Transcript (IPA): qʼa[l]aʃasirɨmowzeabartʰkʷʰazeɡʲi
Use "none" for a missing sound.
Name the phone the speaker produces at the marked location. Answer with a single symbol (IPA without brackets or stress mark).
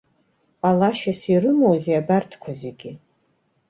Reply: l